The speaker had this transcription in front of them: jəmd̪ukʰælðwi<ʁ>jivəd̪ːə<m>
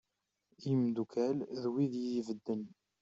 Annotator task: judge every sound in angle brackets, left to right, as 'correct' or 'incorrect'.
incorrect: ð, incorrect: n

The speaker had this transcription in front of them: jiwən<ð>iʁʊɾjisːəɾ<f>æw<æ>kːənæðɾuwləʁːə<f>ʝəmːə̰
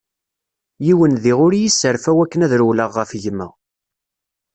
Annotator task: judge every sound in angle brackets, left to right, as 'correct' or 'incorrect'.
correct, correct, correct, correct

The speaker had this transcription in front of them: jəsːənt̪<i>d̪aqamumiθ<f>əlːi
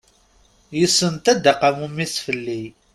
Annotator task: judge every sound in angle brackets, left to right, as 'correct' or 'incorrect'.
incorrect: æ, correct

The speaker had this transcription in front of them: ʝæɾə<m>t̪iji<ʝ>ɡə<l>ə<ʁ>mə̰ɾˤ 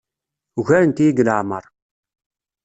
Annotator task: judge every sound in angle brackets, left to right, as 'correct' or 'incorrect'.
incorrect: n, incorrect: none, correct, incorrect: ʕ

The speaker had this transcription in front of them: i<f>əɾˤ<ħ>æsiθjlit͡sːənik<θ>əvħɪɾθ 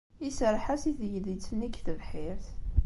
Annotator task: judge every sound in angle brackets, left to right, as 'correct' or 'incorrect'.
incorrect: s, correct, correct

